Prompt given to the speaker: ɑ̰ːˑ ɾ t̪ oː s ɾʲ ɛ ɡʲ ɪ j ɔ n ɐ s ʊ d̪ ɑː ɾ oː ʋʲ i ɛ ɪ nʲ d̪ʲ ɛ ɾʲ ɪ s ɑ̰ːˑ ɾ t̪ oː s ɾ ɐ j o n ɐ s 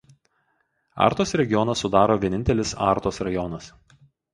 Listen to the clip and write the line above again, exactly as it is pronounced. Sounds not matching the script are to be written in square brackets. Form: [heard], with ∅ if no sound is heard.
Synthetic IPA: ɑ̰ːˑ ɾ t̪ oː s ɾʲ ɛ ɡʲ ɪ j ɔ n ɐ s ʊ d̪ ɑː ɾ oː ʋʲ i ɛ ɪ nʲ [t̪ʲ] ɛ [lʲ] ɪ s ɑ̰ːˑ ɾ t̪ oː s ɾ ɐ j [ɔ] n ɐ s